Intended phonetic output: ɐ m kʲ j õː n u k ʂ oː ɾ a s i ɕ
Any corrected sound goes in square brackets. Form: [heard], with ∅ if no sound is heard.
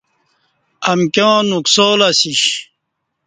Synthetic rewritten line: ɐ m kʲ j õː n u k [s] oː [l] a s i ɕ